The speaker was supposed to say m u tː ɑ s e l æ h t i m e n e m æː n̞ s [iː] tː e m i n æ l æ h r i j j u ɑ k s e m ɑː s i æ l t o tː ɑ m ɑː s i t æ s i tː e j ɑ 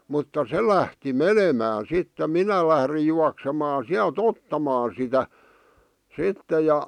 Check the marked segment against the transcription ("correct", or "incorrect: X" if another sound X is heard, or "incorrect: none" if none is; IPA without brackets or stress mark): incorrect: i